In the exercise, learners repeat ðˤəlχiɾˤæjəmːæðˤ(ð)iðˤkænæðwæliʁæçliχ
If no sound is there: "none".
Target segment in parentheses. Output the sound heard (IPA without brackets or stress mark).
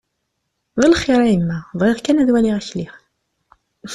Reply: ʁ